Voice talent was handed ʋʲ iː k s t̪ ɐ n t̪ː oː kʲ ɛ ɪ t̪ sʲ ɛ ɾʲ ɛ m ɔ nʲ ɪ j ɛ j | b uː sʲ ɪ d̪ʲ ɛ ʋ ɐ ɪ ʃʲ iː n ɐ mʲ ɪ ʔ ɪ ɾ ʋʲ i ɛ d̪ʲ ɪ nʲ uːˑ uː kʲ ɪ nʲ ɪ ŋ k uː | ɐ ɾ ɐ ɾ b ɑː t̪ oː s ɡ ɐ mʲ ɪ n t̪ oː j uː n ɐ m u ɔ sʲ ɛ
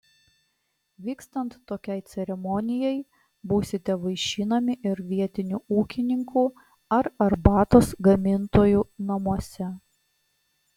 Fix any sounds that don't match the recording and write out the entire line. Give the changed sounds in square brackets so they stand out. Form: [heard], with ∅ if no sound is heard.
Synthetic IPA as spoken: ʋʲ iː k s t̪ ɐ n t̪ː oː kʲ ɛ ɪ t̪ sʲ ɛ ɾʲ ɛ m ɔ nʲ ɪ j ɛ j | b uː sʲ ɪ [t̪ʲ] ɛ ʋ ɐ ɪ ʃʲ iː n ɐ mʲ ɪ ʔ ɪ ɾ ʋʲ i ɛ [t̪ʲ] ɪ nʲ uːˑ uː kʲ ɪ nʲ ɪ ŋ k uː | ɐ ɾ ɐ ɾ b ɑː t̪ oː s ɡ ɐ mʲ ɪ n t̪ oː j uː n ɐ m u ɔ sʲ ɛ